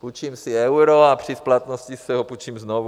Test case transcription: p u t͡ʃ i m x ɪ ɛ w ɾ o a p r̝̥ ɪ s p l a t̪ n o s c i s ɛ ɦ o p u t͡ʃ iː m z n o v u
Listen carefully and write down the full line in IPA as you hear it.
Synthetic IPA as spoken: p u t͡ʃ i m s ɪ ɛ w ɾ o a p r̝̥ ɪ s p l a t̪ n o s c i s ɛ ɦ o p u t͡ʃ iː m z n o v u

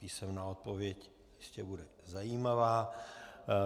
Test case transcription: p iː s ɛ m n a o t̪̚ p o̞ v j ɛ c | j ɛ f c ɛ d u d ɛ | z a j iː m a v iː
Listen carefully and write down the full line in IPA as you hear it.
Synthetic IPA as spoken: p iː s ɛ m n a o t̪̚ p o̞ v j ɛ c | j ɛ ʃ c ɛ b u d ɛ | z a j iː m a v aː

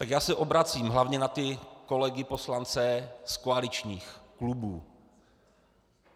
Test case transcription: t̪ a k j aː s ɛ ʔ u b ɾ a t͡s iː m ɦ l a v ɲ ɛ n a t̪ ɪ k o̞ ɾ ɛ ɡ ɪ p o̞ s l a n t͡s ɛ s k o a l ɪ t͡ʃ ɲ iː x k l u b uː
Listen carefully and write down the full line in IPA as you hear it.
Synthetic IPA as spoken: t̪ a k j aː s ɛ ʔ o b ɾ a t͡s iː m ɦ l a v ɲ ɛ n a t̪ ɪ k o̞ l ɛ ɡ ɪ p o̞ s l a n t͡s ɛ s k o a l ɪ t͡ʃ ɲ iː x k l u b uː

